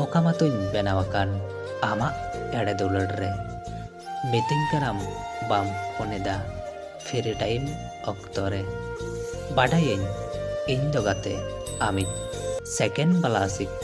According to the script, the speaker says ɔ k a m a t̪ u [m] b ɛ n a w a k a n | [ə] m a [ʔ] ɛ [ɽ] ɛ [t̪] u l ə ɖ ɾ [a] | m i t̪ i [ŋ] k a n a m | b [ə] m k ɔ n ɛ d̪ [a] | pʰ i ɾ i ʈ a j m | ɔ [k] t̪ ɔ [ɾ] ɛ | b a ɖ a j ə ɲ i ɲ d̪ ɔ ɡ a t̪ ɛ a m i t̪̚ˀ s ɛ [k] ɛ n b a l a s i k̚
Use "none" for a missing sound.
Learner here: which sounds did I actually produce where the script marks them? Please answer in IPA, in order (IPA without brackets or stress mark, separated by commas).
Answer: ɲ, a, ʔ, ɽ, d̪, ɛ, ŋ, a, a, k, ɾ, k